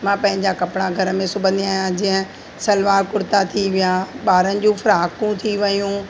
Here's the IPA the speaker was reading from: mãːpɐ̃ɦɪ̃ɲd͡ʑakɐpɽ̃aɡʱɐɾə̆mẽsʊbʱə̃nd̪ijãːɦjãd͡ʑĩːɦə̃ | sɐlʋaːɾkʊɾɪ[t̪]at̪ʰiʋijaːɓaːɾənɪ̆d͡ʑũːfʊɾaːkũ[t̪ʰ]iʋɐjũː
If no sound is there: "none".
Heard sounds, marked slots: t̪, t̪ʰ

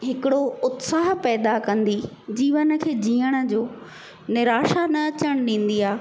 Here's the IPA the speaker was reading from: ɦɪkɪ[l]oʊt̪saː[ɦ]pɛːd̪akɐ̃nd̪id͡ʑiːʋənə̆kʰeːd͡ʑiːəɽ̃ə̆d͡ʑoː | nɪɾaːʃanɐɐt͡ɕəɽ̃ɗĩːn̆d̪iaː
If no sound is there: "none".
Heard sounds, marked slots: ɽ, ɦ

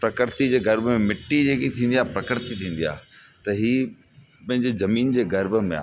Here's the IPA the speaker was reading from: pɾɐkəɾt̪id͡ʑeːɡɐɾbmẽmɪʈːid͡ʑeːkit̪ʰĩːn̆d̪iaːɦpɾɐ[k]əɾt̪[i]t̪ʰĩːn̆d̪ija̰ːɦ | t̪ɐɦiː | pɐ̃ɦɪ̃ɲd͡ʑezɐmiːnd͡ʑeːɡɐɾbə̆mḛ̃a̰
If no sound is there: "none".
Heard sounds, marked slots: k, i

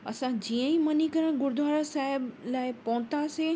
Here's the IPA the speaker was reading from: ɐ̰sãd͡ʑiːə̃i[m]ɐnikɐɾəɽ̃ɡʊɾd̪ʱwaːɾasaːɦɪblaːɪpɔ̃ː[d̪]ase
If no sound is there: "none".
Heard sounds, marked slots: m, t̪

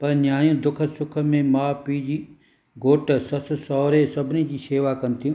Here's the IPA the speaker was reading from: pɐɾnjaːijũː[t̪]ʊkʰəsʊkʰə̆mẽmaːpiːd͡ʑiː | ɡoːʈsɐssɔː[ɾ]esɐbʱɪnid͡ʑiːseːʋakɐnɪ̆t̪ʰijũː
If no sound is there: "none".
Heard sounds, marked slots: d̪, ɾ

